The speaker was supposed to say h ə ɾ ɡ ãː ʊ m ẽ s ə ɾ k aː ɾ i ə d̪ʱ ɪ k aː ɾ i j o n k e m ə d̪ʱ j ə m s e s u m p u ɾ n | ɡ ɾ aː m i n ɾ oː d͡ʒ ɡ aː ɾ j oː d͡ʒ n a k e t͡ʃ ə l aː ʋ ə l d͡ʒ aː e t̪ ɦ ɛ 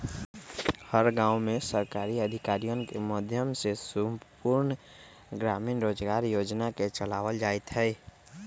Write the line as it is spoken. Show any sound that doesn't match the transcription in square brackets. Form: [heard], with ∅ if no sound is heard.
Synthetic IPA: h ə ɾ ɡ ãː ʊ m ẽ s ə ɾ k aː ɾ i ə d̪ʱ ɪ k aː ɾ i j o n k e m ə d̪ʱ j ə m s e s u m p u ɾ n | ɡ ɾ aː m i n ɾ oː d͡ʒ ɡ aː ɾ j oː d͡ʒ n a k e t͡ʃ ə l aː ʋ ə l d͡ʒ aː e t̪ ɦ ɛ